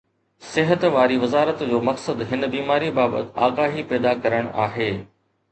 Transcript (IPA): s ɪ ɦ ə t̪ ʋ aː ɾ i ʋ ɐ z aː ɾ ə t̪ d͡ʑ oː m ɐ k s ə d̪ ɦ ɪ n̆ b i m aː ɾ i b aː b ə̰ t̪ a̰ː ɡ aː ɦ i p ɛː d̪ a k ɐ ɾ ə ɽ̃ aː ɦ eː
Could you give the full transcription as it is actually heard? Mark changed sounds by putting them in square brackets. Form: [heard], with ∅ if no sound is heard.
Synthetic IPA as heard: s ɪ ɦ ə t̪ ʋ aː ɾ i ʋ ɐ z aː ɾ ə t̪ d͡ʑ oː m ɐ k s ə d̪ ɦ ɪ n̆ b [iː] m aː ɾ i b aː b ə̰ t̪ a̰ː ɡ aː ɦ i p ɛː d̪ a k ɐ ɾ ə ɽ̃ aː ɦ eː

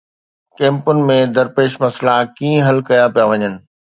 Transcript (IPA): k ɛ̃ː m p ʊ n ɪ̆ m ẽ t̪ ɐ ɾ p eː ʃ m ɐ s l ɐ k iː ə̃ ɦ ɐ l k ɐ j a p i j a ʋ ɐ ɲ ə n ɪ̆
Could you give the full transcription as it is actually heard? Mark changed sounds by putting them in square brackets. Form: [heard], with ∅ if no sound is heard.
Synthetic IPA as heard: k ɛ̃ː m p ʊ n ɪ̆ m ẽ [d̪] ɐ ɾ p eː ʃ m ɐ s l [a] k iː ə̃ ɦ ɐ l k ɐ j a p i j a ʋ ɐ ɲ ə n ɪ̆

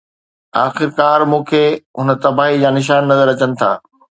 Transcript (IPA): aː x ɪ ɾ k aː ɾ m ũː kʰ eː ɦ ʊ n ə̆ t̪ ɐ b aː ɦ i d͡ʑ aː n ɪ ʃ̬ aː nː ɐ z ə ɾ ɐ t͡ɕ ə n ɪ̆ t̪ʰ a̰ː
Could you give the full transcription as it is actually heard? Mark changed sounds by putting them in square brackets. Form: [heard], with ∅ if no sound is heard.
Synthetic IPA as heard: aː x ɪ ɾ k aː ɾ m ũː kʰ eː ɦ ʊ n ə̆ t̪ ɐ b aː ɦ i d͡ʑ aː n ɪ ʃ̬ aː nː ɐ z ə ɾ ɐ t͡ɕ ə n ɪ̆ t̪ʰ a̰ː

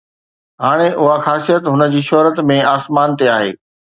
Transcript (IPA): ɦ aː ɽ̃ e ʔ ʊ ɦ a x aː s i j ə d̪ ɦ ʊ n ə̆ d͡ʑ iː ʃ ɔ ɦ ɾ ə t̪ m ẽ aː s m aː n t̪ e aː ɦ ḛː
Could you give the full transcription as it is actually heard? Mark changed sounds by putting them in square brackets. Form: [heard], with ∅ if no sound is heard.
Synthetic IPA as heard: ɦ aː ɽ̃ e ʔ ʊ ɦ a x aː s i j ə [t̪] ɦ ʊ n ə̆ d͡ʑ iː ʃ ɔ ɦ ɾ ə t̪ m ẽ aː s m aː n t̪ e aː ɦ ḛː

